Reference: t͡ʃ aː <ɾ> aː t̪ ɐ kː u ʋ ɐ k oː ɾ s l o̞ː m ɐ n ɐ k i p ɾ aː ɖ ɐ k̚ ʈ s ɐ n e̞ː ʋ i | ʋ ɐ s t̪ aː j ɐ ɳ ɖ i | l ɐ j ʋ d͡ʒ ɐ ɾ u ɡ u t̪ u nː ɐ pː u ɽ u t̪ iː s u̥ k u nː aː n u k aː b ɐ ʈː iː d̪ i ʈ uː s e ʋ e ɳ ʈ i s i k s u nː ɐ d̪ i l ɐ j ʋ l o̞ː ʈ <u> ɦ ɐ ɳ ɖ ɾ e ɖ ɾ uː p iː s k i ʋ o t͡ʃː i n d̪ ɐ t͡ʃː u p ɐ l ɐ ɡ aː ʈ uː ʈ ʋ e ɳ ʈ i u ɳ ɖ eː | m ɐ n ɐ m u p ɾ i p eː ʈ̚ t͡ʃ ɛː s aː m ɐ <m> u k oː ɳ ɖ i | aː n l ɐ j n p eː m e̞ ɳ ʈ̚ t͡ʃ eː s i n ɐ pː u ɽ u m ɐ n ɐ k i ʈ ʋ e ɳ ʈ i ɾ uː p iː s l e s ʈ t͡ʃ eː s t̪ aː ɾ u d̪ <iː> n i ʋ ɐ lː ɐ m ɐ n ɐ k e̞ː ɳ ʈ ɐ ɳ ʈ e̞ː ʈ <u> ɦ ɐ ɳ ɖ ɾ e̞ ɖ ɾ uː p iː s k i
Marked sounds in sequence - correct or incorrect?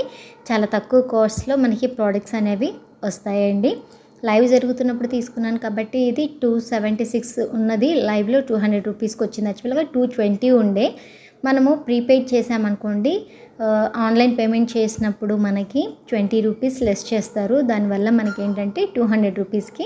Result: incorrect: l, incorrect: uː, incorrect: n, incorrect: aː, incorrect: uː

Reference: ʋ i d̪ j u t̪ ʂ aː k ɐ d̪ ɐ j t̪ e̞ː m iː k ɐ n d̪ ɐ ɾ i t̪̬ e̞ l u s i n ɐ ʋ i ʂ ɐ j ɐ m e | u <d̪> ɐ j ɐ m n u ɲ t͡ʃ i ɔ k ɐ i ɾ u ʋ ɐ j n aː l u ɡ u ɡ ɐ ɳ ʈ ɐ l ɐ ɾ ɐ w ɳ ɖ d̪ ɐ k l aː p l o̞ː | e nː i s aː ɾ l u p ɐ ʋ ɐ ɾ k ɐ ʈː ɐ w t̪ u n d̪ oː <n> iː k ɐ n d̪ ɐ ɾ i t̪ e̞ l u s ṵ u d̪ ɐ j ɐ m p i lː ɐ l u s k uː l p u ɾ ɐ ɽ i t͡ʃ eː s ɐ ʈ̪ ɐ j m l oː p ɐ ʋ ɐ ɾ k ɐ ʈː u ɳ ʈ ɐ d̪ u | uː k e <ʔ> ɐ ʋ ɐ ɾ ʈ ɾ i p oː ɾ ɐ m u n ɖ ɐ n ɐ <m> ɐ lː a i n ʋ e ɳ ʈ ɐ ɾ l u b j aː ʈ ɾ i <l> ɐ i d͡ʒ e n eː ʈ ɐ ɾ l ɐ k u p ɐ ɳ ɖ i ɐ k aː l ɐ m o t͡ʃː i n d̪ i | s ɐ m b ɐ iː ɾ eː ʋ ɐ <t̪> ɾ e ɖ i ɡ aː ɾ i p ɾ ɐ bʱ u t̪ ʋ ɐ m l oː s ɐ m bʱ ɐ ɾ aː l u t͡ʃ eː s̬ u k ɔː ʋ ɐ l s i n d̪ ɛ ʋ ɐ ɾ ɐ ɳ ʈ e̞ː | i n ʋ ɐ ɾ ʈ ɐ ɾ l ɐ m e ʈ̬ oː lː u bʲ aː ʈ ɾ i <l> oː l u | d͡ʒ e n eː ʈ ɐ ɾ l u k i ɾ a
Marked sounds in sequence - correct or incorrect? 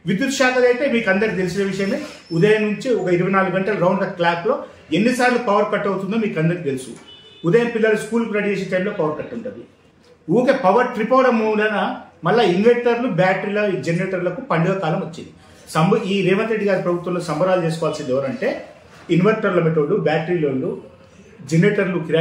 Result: correct, incorrect: m, incorrect: p, correct, correct, correct, correct

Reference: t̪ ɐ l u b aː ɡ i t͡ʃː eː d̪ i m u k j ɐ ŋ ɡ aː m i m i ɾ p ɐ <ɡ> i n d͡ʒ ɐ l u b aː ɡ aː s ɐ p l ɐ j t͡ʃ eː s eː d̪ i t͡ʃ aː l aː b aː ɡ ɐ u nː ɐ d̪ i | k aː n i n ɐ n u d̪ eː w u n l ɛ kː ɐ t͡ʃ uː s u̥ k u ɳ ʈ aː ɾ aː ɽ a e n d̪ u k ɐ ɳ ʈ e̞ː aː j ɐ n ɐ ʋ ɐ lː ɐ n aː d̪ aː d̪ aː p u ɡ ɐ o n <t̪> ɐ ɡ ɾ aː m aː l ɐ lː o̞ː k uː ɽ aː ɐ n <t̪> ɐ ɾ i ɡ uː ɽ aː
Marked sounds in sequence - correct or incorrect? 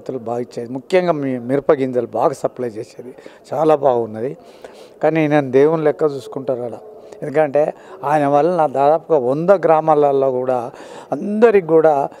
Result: correct, incorrect: d̪, incorrect: d̪

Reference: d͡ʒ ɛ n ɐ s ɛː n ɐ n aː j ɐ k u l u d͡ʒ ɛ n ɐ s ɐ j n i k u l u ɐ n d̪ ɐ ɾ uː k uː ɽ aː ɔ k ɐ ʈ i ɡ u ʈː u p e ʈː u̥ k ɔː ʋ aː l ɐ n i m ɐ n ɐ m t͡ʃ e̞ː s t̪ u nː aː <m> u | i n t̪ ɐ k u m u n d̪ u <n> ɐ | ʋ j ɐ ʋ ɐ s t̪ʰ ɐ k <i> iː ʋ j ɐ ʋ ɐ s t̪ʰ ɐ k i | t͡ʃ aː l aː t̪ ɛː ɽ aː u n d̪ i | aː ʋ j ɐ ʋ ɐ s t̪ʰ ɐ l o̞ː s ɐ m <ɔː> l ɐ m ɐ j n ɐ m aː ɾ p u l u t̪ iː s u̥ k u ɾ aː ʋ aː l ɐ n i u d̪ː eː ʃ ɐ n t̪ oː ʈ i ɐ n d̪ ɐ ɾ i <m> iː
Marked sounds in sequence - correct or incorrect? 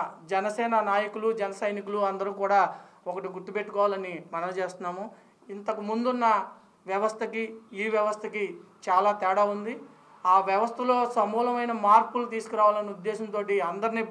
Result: correct, incorrect: nː, correct, incorrect: uː, incorrect: n

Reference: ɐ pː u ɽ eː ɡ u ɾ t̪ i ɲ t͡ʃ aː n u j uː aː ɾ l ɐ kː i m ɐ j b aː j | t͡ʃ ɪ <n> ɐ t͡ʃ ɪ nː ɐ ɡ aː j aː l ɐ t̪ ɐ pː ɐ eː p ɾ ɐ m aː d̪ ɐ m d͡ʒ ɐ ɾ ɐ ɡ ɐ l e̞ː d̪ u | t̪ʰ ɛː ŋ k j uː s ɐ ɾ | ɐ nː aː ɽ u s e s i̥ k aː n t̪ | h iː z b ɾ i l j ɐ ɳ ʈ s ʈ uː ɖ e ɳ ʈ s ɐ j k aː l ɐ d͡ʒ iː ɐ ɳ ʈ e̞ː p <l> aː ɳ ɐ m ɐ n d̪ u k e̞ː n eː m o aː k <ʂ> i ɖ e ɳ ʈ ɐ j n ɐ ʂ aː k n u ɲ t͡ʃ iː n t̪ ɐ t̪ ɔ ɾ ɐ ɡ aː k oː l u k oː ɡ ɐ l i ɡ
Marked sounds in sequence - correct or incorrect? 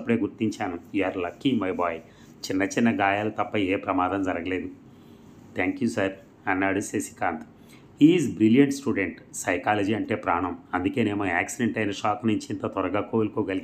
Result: incorrect: nː, incorrect: ɾ, incorrect: s

